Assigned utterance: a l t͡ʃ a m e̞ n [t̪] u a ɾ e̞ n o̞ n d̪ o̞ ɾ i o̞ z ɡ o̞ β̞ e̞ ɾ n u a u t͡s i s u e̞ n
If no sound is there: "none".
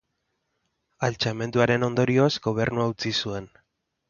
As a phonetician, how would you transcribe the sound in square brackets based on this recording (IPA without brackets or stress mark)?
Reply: d̪